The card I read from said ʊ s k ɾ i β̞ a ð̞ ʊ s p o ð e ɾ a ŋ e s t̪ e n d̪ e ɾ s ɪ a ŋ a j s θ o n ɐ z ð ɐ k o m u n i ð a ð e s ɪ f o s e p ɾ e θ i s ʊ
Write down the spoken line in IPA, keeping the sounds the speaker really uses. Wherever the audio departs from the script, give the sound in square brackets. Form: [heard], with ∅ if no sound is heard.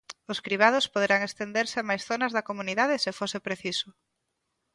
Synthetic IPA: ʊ s k ɾ i β̞ a ð̞ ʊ s p o ð e ɾ a ŋ e s t̪ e n d̪ e ɾ s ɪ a [m] a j s θ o n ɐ z ð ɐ k o m u n i ð a ð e s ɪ f o s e p ɾ e θ i s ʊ